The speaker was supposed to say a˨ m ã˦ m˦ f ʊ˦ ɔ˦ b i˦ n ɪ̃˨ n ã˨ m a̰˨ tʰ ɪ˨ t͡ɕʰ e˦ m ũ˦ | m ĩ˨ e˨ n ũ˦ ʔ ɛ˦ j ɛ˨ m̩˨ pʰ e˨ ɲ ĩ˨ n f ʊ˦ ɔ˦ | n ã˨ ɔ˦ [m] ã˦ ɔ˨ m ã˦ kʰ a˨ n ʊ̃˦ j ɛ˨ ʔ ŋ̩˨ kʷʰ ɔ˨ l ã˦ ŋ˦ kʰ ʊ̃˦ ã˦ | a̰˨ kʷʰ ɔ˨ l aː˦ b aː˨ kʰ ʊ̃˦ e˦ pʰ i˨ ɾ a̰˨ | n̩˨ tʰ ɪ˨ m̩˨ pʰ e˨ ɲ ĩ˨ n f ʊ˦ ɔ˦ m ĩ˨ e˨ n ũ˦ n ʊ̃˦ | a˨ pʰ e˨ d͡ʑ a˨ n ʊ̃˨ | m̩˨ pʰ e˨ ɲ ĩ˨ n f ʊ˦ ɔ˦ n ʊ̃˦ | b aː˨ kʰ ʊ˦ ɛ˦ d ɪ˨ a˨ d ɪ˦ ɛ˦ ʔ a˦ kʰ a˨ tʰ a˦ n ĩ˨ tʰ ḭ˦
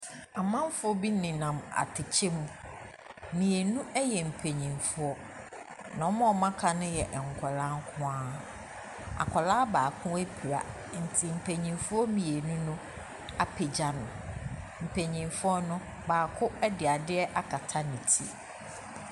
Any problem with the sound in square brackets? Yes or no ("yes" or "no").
no